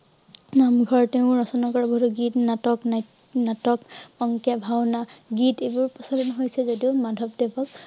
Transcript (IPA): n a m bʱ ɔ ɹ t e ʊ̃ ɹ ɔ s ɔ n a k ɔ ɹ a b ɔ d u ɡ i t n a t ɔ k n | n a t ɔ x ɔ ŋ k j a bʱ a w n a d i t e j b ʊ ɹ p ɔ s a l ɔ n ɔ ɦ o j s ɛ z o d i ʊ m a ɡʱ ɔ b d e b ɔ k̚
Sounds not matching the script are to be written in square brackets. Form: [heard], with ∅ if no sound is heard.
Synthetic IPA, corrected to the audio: n a m [ɡʱ] ɔ ɹ t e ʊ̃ ɹ ɔ s ɔ n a k ɔ ɹ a b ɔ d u ɡ i t n a t ɔ k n | n a t ɔ [k] ɔ ŋ k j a bʱ a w n a [ɡ] i t e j b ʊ ɹ p ɔ s a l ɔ n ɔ ɦ o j s ɛ z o d i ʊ m a [dʱ] ɔ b d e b ɔ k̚